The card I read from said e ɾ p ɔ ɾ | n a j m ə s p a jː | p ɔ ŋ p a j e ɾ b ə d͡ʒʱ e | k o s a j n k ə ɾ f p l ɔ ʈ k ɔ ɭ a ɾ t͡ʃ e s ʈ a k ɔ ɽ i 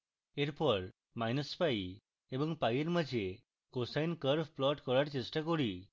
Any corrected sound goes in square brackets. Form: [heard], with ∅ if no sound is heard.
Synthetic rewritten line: e ɾ p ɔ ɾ | [m] a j [n] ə s p a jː | [b] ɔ ŋ p a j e ɾ [m] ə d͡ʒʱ e | k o s a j n k ə ɾ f p l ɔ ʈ k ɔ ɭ a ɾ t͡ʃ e s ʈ a k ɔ ɽ i